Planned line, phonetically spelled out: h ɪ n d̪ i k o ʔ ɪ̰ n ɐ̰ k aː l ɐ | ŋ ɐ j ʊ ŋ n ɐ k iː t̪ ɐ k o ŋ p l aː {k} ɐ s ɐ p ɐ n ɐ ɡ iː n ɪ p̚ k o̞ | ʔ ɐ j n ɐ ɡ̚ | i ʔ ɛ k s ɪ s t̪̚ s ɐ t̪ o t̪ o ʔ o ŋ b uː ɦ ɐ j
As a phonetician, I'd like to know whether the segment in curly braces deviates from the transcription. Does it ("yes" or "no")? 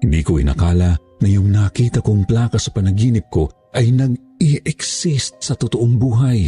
no